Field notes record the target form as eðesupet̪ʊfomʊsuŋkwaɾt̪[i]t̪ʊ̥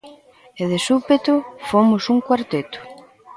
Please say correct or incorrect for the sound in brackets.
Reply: incorrect